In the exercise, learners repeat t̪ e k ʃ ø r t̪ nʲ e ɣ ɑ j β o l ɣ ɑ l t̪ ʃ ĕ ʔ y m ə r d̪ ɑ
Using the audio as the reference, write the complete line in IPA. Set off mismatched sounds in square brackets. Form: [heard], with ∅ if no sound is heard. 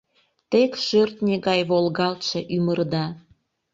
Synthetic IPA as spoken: t̪ e k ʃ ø r t̪ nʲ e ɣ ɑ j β o l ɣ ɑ l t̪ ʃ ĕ ʔ y m ə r d̪ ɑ